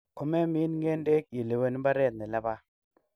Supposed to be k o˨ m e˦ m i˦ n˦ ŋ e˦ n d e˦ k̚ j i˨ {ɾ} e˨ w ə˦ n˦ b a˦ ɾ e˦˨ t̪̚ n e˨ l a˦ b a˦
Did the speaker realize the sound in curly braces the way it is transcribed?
no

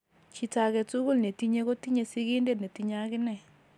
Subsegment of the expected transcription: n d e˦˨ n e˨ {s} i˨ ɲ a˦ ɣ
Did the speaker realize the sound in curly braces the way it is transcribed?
no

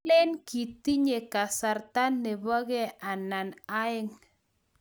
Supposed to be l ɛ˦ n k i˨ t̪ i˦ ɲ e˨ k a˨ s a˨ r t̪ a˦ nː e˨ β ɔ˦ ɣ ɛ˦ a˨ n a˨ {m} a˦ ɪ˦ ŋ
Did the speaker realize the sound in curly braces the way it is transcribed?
no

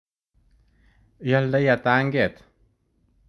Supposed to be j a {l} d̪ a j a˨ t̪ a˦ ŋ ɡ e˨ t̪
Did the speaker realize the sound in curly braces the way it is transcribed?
yes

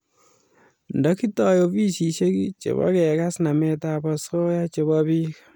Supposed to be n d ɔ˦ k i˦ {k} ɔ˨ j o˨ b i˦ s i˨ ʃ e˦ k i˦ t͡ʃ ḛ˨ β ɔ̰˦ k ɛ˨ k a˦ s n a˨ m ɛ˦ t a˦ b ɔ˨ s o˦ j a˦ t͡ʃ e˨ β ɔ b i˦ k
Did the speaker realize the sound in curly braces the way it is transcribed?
no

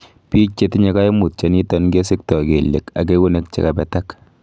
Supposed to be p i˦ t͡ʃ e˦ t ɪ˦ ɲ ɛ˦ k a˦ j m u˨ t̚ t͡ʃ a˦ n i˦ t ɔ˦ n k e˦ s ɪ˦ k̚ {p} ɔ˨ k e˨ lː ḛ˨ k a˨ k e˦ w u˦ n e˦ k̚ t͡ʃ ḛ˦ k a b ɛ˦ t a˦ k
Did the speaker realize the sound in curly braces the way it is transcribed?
no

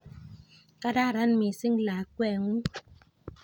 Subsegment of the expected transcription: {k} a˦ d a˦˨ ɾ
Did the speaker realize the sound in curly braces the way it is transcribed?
yes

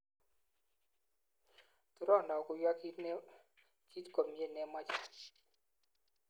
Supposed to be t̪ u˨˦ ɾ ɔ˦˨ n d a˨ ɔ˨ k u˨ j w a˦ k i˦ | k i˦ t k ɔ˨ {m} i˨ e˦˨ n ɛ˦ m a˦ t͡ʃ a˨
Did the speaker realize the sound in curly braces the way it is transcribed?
yes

